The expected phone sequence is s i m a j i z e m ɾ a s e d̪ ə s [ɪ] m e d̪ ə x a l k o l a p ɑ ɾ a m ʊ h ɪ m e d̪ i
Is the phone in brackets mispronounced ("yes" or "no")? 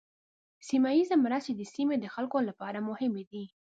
yes